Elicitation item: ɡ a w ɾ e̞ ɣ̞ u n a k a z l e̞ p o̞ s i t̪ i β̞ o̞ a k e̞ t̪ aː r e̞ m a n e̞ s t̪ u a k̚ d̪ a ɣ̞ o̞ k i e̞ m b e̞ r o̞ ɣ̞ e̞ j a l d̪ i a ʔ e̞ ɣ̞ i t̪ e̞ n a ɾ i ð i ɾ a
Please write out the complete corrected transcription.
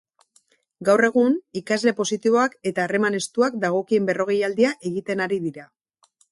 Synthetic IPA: ɡ a w r e̞ ɣ̞ u n i k a z l e̞ p o̞ s i t̪ i β̞ o̞ a k e̞ t̪ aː r e̞ m a n e̞ s t̪ u a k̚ d̪ a ɣ̞ o̞ k i e̞ m b e̞ r o̞ ɣ̞ e̞ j a l d̪ i a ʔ e̞ ɣ̞ i t̪ e̞ n a ɾ i ð i ɾ a